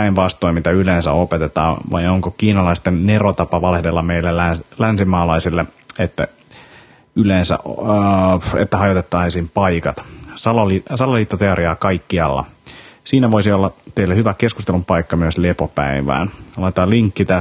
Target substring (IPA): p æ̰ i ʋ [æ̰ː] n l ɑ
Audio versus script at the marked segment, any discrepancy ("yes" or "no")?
no